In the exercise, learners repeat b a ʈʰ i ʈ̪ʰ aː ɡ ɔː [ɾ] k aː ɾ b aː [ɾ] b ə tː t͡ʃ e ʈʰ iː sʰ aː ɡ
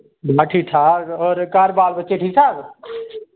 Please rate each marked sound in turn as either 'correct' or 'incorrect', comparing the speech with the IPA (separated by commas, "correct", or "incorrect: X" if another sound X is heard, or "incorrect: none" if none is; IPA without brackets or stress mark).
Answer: correct, incorrect: l